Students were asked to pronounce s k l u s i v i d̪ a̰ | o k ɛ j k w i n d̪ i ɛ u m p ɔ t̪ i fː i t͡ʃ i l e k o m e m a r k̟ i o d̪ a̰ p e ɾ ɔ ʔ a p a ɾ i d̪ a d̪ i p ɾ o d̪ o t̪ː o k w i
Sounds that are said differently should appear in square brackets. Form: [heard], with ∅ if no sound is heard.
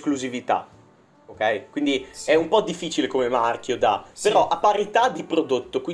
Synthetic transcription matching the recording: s k l u [z] i v i [t̪] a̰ | o k ɛ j k w i n d̪ i ɛ u m p ɔ [d̪] i fː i t͡ʃ i l e k o m e m a r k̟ [j] o d̪ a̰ p e ɾ ɔ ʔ a p a ɾ i [t̪] a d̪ i p ɾ o d̪ o t̪ː o k w i